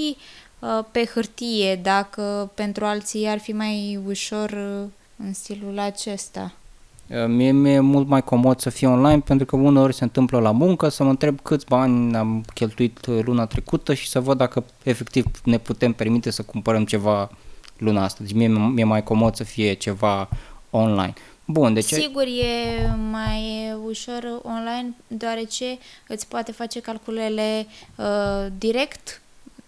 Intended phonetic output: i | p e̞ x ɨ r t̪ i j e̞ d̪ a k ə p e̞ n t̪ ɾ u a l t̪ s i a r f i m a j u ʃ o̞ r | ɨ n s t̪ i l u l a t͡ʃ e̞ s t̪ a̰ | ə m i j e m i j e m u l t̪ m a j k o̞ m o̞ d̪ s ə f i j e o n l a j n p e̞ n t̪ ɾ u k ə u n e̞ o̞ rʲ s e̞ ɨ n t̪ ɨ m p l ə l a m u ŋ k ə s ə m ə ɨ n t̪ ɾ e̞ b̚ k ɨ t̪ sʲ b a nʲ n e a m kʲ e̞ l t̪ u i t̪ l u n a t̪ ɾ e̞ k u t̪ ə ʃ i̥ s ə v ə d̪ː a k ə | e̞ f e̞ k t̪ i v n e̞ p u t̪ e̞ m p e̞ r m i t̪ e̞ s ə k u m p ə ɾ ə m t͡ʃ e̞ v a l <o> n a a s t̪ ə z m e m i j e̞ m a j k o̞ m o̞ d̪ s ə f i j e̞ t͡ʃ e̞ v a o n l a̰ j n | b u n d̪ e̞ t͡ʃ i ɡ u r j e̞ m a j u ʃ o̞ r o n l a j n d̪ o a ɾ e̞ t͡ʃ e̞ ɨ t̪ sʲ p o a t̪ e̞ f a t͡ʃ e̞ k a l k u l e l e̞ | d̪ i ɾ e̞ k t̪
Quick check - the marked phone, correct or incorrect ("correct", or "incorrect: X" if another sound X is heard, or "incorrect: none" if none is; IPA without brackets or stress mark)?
incorrect: u